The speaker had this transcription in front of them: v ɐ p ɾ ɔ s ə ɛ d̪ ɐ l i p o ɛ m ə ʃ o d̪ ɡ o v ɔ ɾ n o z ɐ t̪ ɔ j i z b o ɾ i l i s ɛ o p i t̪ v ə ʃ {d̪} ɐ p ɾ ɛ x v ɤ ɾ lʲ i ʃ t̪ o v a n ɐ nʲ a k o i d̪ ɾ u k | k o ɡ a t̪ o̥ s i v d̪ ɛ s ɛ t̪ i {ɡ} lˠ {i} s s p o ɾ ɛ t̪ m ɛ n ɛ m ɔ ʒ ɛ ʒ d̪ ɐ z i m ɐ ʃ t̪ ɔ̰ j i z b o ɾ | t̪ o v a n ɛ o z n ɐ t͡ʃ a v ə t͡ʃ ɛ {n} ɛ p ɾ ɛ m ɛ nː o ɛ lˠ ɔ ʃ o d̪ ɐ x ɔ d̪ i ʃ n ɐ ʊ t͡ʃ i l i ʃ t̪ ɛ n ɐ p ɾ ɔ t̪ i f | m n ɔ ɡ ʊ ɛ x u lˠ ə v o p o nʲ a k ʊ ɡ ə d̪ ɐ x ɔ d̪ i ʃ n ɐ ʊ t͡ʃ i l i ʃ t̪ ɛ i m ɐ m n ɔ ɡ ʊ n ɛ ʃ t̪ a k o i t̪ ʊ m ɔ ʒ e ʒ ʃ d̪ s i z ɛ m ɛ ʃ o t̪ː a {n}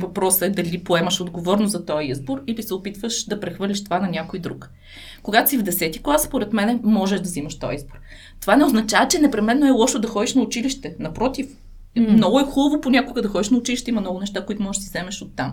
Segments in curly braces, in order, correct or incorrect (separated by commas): correct, incorrect, incorrect, correct, incorrect